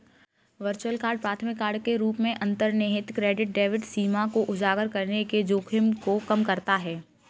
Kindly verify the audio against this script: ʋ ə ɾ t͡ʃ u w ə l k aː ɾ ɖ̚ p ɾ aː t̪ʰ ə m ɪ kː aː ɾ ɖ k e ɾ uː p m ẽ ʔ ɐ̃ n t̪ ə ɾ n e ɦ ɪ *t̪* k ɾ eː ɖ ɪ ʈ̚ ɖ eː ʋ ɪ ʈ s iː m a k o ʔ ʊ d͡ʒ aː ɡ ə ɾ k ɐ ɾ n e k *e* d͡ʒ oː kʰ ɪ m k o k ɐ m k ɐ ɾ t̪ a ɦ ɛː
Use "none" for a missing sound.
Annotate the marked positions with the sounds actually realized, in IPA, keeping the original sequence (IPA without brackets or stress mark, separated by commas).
t̪, e